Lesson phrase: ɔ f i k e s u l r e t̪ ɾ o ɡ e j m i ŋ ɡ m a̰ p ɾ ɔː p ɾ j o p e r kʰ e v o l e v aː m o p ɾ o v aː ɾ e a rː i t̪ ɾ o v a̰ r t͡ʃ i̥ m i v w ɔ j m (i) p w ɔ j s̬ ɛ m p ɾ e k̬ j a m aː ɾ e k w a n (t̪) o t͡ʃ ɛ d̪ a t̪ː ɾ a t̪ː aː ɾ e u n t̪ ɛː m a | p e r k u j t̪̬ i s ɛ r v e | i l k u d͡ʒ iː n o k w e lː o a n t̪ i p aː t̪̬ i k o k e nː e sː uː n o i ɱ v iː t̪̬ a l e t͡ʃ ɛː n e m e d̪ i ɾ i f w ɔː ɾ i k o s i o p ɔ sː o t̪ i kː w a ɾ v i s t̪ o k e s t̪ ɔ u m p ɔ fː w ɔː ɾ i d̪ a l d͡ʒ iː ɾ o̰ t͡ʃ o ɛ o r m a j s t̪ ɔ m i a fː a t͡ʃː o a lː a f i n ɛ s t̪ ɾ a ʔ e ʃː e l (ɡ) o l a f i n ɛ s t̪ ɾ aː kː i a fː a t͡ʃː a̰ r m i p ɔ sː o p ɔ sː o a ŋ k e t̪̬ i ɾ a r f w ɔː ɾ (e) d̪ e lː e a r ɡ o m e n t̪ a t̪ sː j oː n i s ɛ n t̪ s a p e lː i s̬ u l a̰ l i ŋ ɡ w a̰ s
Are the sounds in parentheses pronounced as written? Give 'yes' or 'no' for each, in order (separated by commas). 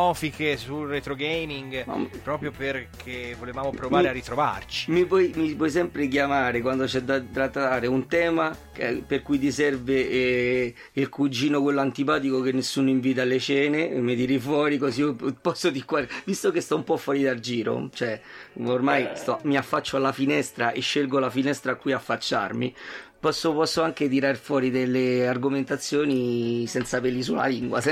yes, no, yes, no